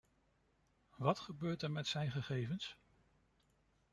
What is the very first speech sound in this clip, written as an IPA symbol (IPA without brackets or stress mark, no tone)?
ʋ